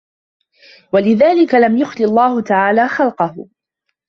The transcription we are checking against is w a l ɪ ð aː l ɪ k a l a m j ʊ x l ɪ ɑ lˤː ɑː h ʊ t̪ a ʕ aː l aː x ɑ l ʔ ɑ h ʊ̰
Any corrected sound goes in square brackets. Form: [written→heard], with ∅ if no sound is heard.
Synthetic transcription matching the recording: w a l ɪ ð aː l ɪ k a l a m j ʊ x l ɪ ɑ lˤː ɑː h ʊ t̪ a ʕ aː l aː x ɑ l [ʔ→q] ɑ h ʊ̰